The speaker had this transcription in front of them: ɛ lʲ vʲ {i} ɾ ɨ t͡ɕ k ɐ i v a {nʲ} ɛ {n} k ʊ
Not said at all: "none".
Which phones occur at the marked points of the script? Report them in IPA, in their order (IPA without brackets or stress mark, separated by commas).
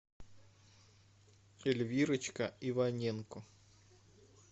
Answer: i, nʲ, n